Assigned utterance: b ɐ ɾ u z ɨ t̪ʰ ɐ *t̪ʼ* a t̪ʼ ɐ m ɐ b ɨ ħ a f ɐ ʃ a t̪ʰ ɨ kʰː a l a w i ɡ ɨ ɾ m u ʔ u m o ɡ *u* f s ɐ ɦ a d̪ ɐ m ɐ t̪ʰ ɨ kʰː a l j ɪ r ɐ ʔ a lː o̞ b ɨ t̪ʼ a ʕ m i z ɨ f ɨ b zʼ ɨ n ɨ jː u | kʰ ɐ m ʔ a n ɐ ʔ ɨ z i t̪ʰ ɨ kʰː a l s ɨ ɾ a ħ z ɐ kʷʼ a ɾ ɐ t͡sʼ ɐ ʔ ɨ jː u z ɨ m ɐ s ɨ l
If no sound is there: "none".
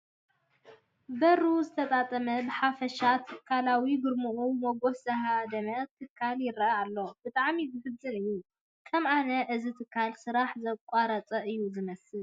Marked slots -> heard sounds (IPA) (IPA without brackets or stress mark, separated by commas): t̪ʼ, o